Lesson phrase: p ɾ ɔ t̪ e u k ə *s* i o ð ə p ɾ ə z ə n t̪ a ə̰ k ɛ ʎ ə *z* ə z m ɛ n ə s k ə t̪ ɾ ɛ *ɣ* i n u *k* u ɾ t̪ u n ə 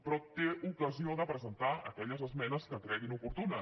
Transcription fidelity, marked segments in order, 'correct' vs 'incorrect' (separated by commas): incorrect, correct, correct, incorrect